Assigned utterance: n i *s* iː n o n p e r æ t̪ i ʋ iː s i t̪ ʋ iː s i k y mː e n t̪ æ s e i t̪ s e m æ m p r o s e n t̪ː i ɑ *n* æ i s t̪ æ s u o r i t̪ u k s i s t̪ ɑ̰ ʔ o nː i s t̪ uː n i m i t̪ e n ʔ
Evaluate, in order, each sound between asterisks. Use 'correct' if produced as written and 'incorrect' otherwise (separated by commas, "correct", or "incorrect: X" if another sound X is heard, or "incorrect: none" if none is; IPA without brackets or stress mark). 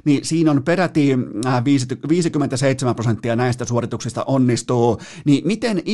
correct, correct